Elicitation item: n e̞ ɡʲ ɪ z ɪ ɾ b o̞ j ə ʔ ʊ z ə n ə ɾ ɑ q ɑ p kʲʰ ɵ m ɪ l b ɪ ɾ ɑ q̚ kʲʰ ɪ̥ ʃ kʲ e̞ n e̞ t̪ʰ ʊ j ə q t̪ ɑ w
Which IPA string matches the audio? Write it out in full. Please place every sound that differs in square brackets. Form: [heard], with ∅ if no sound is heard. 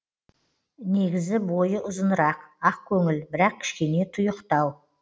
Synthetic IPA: n e̞ ɡʲ ɪ z ɪ [∅] b o̞ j ə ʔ ʊ z ə n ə ɾ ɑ q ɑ [q] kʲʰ ɵ [ŋ] ɪ l b ɪ ɾ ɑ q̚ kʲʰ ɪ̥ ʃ kʲ e̞ n e̞ t̪ʰ ʊ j ə q t̪ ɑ w